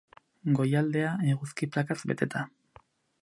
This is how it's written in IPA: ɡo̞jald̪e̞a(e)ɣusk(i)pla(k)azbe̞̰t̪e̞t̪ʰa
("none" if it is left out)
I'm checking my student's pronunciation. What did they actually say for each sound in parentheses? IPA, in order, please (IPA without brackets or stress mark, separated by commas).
e, i, k